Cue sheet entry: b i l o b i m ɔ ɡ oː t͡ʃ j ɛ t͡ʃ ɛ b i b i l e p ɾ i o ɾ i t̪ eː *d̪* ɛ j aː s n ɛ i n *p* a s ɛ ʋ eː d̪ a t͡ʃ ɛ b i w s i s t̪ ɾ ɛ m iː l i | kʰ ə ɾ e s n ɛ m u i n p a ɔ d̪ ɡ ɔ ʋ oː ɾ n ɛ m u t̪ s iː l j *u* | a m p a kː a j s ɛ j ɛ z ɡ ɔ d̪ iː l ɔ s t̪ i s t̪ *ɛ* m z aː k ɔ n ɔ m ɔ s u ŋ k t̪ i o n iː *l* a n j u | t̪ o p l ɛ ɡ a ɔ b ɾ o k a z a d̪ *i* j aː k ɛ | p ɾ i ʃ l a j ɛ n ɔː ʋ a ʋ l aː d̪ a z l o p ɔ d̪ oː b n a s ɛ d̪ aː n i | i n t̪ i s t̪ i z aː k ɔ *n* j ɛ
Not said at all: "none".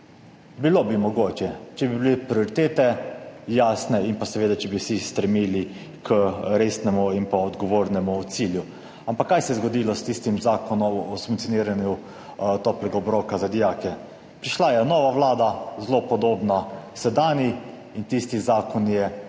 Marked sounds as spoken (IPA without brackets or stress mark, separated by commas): t̪, p, u, i, ɾ, i, n